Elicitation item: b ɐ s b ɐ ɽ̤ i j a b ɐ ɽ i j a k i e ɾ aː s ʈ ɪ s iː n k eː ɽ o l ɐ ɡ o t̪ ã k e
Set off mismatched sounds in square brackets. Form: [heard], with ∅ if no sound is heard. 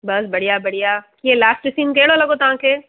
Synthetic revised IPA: b ɐ s b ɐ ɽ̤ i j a b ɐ ɽ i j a k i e [l] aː s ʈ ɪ s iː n k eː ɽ o l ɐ ɡ o t̪ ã k e